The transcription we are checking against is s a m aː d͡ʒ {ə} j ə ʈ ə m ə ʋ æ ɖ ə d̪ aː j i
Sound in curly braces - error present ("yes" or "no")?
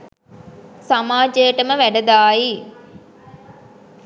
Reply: no